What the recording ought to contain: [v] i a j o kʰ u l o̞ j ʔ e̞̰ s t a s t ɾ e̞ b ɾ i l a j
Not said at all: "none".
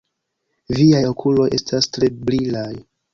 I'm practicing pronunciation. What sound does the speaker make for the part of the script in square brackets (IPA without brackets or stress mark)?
v